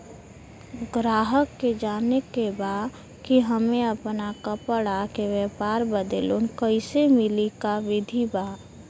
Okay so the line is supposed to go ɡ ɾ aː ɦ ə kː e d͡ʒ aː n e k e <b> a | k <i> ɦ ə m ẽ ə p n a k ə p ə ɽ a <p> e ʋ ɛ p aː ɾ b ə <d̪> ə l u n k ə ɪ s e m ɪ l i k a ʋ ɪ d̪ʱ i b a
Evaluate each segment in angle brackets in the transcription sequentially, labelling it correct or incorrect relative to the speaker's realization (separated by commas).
correct, correct, incorrect, correct